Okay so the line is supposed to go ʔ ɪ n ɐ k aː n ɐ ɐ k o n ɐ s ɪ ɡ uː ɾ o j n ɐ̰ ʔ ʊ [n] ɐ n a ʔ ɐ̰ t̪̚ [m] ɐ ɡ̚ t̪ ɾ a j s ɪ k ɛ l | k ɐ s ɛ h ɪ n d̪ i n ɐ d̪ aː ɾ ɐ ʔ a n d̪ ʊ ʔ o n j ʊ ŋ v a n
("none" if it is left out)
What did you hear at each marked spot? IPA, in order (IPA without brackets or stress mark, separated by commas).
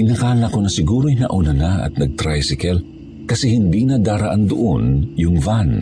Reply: n, n